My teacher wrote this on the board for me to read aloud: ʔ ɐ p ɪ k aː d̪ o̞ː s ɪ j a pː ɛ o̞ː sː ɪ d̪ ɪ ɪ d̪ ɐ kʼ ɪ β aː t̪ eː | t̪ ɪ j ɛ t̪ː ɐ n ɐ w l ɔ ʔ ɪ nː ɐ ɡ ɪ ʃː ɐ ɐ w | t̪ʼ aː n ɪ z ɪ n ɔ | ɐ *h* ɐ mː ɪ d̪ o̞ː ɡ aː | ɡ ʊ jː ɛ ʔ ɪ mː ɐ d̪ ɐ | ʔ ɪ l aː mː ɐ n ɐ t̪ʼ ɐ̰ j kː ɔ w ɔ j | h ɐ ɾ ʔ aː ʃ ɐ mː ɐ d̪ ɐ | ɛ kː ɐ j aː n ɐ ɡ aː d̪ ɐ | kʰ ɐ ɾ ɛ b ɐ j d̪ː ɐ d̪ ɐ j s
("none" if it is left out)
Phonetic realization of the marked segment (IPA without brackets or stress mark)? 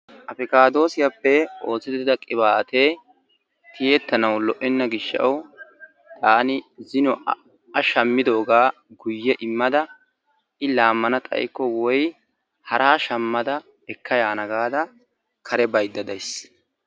ʃ